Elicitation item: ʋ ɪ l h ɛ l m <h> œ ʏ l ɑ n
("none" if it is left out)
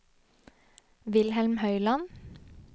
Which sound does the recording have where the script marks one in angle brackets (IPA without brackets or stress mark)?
h